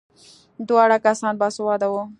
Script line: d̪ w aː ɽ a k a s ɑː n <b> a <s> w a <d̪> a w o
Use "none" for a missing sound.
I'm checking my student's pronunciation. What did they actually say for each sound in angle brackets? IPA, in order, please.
b, s, d̪

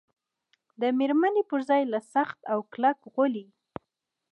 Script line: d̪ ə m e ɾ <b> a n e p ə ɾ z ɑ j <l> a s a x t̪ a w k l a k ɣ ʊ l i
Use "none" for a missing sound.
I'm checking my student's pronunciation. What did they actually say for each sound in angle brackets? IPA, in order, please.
m, l

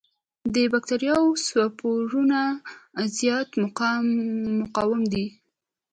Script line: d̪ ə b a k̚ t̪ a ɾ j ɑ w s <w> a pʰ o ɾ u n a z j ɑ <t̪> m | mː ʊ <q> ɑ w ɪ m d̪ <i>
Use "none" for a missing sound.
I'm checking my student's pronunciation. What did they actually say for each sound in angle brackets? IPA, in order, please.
w, t̪, q, i

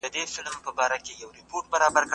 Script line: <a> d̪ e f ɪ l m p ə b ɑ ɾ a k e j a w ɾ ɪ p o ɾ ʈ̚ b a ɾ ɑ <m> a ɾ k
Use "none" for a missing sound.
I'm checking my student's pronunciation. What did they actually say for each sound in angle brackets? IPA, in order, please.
ə, b

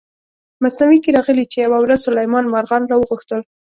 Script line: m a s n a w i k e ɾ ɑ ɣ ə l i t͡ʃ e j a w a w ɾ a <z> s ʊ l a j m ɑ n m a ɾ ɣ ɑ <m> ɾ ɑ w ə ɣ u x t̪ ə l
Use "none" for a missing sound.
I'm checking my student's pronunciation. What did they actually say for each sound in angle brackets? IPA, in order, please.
z, n

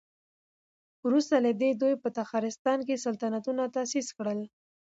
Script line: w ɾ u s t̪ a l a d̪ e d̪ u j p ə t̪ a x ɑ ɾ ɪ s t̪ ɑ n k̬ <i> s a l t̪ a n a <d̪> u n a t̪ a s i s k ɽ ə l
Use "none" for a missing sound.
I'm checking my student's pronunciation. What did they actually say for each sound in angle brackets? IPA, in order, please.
e, t̪

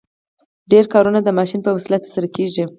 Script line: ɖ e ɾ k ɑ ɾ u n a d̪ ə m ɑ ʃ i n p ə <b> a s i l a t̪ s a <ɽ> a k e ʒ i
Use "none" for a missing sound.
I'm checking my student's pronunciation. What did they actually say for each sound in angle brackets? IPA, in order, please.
w, ɾ

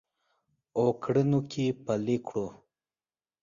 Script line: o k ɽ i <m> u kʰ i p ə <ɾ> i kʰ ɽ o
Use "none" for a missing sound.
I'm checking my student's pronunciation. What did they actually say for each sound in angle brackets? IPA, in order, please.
n, l

